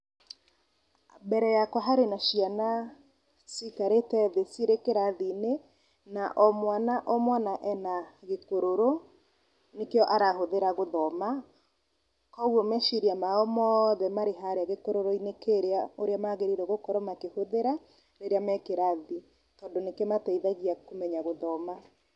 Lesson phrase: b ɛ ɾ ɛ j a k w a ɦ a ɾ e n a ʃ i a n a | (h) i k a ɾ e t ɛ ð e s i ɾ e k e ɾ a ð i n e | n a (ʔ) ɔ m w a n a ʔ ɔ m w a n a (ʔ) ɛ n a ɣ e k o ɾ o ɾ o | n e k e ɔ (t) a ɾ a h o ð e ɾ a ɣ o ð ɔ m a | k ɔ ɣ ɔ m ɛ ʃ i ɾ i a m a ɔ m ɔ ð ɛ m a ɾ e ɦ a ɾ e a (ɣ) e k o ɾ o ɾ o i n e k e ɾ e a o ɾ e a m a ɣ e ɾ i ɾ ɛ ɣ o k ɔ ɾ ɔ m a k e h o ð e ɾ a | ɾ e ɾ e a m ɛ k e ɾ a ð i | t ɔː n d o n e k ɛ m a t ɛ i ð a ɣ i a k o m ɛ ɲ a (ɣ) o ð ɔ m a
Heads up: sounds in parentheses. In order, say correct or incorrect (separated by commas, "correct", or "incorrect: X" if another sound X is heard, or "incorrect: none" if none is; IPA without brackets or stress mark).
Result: incorrect: s, correct, correct, incorrect: ʔ, correct, correct